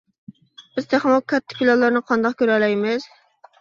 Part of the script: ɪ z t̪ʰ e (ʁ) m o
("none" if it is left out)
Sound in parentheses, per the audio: χ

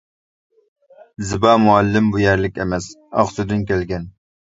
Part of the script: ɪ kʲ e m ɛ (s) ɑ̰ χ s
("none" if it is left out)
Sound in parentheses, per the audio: s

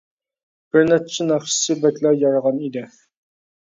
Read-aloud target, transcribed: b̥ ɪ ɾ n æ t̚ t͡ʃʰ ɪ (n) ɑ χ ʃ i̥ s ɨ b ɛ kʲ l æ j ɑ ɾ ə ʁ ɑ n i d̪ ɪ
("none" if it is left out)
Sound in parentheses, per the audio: n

